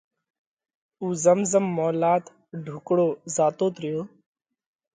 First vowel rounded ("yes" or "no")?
yes